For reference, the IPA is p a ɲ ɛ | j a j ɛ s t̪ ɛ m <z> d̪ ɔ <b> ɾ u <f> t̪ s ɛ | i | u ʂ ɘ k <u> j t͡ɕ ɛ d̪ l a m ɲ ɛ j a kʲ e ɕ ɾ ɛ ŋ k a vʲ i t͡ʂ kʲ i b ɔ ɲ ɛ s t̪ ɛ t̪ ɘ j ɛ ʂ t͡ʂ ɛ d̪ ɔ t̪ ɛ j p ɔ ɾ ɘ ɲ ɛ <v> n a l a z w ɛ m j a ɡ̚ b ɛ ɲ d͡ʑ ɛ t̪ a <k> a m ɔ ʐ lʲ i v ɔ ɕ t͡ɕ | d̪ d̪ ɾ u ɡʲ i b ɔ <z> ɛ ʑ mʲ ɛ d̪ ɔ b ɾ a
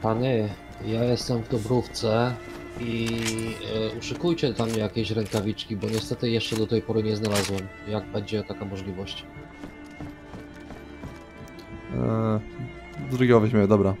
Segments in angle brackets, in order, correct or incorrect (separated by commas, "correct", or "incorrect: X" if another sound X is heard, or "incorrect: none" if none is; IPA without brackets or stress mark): incorrect: v, correct, correct, correct, incorrect: z, correct, incorrect: v